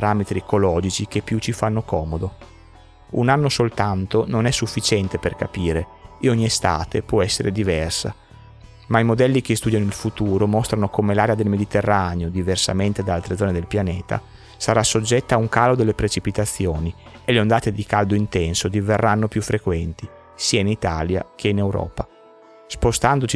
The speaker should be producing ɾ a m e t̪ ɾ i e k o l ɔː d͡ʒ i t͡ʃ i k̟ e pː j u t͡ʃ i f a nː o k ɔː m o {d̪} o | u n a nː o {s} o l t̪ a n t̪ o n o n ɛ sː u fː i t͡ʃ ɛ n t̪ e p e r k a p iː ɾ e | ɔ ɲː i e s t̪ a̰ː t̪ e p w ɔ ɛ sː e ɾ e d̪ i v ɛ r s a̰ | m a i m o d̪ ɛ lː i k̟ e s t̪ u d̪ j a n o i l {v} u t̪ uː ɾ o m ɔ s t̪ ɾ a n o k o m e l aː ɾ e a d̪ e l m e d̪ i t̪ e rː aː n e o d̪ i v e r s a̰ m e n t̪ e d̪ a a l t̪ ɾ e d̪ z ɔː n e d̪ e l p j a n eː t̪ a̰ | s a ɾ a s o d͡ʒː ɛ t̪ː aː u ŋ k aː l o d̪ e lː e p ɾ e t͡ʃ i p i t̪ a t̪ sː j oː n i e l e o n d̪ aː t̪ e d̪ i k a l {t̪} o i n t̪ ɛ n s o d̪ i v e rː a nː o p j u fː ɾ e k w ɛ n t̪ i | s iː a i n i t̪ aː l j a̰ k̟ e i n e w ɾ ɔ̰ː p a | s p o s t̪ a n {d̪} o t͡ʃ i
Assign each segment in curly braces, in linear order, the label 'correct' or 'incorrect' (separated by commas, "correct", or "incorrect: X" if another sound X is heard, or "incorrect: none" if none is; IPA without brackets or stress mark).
correct, correct, incorrect: f, incorrect: d̪, correct